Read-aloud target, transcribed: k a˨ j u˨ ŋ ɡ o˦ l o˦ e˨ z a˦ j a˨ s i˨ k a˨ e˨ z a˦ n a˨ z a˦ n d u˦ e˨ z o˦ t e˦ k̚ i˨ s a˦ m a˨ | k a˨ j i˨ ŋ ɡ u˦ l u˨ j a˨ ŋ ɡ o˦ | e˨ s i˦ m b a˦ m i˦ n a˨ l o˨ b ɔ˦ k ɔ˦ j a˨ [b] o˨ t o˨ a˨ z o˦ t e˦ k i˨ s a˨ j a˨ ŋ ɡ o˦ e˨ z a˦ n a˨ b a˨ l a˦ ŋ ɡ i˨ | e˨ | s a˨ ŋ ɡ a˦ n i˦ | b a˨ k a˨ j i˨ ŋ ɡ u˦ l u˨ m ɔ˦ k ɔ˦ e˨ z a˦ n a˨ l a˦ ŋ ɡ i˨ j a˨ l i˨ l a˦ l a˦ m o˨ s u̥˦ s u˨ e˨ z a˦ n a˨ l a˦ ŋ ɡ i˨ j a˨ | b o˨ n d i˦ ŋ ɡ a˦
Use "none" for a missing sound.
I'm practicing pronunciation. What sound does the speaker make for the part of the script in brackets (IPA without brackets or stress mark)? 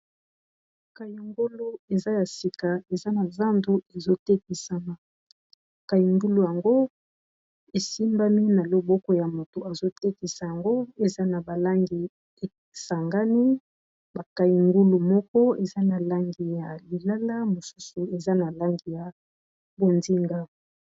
m